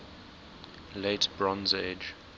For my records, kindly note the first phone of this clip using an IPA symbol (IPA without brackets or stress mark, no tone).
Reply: l